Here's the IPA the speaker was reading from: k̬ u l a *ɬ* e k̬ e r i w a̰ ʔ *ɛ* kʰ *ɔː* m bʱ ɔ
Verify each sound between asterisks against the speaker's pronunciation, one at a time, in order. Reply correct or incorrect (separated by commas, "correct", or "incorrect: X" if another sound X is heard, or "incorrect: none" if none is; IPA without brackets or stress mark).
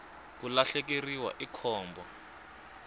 correct, incorrect: i, correct